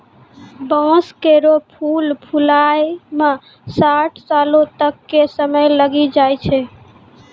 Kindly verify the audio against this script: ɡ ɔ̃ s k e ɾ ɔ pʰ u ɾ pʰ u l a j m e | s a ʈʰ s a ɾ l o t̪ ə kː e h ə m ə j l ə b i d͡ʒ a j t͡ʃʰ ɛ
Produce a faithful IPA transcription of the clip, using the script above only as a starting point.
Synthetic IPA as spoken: b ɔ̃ s k e ɾ o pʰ u l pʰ u l a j m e | s a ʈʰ s a l o t̪ ə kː e s ə m ə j l ə ɡ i d͡ʒ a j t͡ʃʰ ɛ